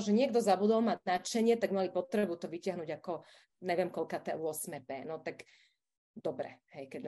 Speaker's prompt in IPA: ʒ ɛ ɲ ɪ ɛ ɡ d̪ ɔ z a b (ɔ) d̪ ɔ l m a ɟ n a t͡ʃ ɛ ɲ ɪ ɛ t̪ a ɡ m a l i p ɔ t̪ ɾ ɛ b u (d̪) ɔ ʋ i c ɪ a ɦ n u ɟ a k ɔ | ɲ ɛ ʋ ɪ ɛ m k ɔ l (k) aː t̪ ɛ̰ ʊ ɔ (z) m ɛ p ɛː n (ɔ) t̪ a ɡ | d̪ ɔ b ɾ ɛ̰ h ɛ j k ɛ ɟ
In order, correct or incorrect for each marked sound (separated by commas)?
incorrect, incorrect, correct, incorrect, correct